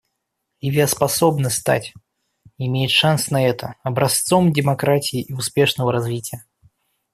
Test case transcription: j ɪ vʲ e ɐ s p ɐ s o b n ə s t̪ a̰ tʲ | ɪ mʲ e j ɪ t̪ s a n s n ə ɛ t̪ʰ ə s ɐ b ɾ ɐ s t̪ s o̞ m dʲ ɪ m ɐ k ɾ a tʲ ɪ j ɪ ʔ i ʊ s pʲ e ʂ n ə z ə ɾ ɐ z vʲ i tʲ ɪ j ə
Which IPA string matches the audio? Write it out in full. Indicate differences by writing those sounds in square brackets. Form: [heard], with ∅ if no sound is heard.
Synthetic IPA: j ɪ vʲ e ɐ s p ɐ s o b n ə s t̪ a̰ tʲ | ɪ mʲ e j ɪ t̪ [ʂ] a n s n [ɐ] ɛ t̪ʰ ə [∅] ɐ b ɾ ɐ s t̪ s o̞ m dʲ ɪ m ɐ k ɾ a tʲ ɪ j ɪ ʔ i ʊ s pʲ e ʂ n ə [v] ə ɾ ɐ z vʲ i tʲ ɪ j ə